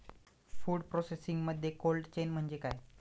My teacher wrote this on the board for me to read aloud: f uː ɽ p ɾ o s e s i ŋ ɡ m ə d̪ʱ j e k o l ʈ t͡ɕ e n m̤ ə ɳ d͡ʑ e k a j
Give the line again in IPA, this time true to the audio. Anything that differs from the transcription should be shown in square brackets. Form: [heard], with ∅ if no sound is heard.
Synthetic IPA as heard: f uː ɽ p ɾ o s e s i ŋ ɡ m ə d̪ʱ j e k o l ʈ t͡ɕ e n m̤ ə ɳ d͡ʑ e k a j